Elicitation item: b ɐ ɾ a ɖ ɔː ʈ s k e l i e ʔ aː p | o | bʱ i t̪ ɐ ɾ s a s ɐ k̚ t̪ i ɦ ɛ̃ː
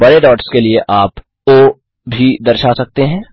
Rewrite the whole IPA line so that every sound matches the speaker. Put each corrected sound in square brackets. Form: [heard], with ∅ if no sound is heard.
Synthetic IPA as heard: b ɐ ɾ [e] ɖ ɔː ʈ s k e l i e ʔ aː p | o | bʱ i [d̪] ɐ ɾ [ʃ] a s ɐ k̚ t̪ [e] ɦ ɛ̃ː